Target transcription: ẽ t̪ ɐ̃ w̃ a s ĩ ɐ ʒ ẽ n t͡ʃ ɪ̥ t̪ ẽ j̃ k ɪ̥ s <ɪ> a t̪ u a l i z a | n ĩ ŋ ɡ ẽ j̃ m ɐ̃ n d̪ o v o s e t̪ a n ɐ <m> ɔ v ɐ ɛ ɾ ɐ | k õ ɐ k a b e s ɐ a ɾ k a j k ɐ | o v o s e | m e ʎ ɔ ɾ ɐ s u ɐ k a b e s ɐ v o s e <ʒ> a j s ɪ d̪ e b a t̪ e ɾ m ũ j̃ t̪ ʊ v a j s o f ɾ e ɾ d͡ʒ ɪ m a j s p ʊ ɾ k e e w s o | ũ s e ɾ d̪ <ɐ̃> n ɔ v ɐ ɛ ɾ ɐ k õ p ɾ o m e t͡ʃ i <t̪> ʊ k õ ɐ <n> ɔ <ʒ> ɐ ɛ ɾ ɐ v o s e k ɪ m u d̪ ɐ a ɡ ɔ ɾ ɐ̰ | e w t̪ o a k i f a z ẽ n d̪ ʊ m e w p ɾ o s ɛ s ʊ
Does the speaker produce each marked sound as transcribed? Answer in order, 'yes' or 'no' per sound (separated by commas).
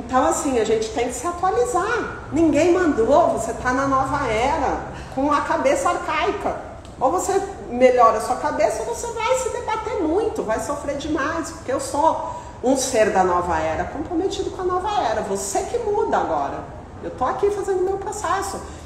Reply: yes, no, no, no, no, yes, no